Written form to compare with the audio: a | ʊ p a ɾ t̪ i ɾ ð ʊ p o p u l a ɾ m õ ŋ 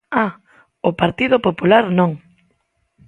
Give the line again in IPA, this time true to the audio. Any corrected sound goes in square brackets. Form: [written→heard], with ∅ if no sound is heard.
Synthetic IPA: a | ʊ p a ɾ t̪ i [ɾ→∅] ð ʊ p o p u l a ɾ [m→n] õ ŋ